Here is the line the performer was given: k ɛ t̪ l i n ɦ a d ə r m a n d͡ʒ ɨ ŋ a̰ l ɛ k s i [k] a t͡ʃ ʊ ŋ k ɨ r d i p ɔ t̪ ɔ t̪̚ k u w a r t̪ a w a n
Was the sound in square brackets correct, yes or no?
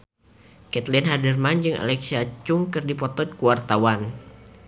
no